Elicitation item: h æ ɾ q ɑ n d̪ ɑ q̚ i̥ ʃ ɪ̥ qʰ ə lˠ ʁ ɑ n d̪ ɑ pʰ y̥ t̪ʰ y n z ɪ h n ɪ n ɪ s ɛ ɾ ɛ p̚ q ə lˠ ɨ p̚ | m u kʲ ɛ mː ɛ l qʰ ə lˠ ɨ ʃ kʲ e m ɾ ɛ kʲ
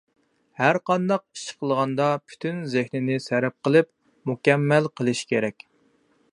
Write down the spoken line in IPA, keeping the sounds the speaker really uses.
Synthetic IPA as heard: h æ ɾ q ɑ n d̪ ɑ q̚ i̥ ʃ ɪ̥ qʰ ə lˠ ʁ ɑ n d̪ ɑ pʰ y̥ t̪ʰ y n z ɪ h n ɪ n ɪ s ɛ ɾ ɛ p̚ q ə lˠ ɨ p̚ | m u kʲ ɛ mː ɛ l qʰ ə lˠ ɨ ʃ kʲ e ɾ ɛ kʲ